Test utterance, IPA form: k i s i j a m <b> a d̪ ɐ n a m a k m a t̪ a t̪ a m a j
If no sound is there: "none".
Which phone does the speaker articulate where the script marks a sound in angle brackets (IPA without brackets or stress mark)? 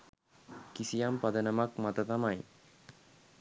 p